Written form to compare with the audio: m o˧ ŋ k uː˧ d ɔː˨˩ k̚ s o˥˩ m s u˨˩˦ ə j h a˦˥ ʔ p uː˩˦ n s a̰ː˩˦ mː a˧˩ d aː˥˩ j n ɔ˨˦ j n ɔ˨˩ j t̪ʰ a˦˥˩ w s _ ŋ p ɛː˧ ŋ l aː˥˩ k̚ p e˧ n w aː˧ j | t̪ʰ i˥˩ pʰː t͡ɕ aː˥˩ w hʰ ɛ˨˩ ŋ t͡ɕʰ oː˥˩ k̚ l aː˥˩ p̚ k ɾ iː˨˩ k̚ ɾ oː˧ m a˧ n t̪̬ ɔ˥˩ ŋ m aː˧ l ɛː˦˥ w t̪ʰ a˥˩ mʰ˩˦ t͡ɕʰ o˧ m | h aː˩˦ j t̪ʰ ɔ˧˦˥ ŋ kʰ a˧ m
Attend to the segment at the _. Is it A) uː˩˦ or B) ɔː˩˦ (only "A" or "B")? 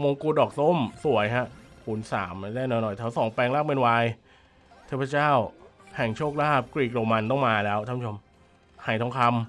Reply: B